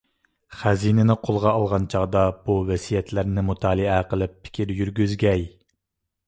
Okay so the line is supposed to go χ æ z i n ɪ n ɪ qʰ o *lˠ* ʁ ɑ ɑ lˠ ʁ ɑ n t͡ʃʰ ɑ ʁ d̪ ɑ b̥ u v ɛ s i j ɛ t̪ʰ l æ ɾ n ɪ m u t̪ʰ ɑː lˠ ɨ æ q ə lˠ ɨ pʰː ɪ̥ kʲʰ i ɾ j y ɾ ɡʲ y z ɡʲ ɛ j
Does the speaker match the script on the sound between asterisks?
yes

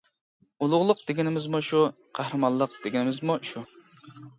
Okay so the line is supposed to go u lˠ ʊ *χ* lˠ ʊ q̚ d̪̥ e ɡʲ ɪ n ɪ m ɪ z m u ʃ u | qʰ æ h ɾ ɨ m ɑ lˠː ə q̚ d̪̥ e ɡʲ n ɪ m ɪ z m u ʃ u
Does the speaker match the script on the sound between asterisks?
no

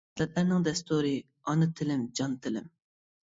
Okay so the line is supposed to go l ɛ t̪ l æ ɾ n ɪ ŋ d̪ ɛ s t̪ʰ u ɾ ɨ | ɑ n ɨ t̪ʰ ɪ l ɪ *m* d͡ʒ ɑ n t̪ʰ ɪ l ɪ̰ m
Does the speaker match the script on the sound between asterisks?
yes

